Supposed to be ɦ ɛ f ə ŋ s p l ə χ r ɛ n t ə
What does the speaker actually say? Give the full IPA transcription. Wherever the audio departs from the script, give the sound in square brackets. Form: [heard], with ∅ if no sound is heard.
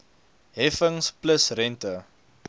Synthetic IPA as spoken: ɦ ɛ f ə ŋ s p l ə [s] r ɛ n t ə